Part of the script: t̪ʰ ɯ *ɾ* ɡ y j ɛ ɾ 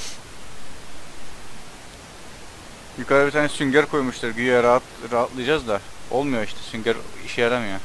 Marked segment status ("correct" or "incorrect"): correct